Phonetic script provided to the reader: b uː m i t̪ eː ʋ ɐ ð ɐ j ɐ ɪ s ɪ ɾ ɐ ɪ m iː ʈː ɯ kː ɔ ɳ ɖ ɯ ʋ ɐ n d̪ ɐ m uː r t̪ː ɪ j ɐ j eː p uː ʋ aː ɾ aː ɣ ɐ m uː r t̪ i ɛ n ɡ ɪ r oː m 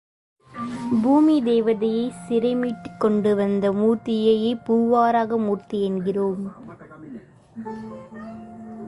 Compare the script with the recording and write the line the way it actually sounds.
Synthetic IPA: b uː m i d̪ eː ʋ ɐ ð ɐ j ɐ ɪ s ɪ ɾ ɐ ɪ m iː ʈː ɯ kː ɔ ɳ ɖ ɯ ʋ ɐ n d̪ ɐ m uː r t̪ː ɪ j ɐ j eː p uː ʋ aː ɾ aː ɣ ɐ m uː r t̪ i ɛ n ɡ ɪ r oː m